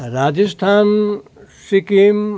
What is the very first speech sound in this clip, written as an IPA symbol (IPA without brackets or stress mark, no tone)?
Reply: ɾ